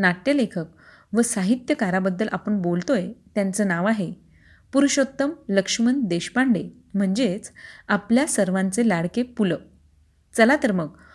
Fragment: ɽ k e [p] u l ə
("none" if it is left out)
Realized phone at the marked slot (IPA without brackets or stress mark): p